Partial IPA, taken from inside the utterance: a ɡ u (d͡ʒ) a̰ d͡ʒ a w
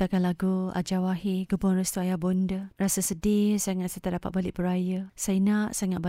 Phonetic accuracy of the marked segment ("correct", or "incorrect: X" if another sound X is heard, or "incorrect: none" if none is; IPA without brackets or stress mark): incorrect: none